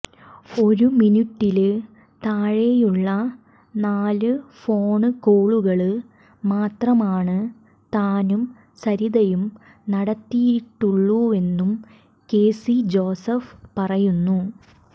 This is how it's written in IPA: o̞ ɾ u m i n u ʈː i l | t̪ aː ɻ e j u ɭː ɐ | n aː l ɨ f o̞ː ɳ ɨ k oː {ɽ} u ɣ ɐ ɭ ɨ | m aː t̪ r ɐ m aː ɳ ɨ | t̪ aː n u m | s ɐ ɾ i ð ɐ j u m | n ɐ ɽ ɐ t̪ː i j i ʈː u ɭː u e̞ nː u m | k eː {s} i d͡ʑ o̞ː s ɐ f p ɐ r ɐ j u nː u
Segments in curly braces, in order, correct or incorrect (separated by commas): incorrect, correct